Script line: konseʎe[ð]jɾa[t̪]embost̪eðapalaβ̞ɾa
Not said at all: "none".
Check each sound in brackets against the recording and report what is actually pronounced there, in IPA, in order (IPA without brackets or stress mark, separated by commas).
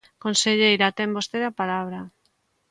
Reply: none, t̪